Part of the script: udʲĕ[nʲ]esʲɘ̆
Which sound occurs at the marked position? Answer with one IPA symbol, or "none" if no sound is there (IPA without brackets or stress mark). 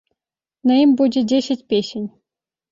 dʲ